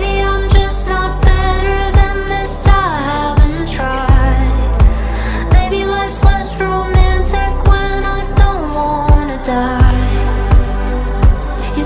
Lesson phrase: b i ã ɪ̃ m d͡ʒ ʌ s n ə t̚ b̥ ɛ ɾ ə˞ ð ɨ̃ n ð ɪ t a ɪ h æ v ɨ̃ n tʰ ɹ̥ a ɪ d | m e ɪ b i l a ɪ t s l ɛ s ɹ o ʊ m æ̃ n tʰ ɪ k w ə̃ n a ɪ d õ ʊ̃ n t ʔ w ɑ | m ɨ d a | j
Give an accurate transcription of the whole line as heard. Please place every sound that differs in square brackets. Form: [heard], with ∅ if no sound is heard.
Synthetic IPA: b i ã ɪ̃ m d͡ʒ ʌ s n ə t̚ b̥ ɛ ɾ ə˞ ð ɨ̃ n ð ɪ [s] a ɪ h æ v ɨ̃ n tʰ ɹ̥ a ɪ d | m e ɪ b i l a ɪ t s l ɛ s ɹ o ʊ m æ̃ n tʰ ɪ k w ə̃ n a ɪ d õ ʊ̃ n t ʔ w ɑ | [n] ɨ d a | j